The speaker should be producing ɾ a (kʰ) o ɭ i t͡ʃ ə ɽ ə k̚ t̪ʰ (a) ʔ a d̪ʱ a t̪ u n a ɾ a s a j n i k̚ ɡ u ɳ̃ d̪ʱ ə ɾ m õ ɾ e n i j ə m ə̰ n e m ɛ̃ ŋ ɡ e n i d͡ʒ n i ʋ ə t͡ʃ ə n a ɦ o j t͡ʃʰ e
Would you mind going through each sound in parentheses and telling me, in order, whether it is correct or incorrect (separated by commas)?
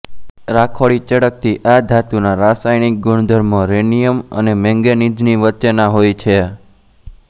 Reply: correct, incorrect